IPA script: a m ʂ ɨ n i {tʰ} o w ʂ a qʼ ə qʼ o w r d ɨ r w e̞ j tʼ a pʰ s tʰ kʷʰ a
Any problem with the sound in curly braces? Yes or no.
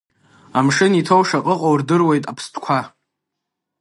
no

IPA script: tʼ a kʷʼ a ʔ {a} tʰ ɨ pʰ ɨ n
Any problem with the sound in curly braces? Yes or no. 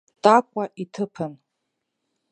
yes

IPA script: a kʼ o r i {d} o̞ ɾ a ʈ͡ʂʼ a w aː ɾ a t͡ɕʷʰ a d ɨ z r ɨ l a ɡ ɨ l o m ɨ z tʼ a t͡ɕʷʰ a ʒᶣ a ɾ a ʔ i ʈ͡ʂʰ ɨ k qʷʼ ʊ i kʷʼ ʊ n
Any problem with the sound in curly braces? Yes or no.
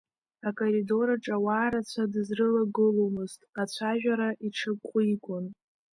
no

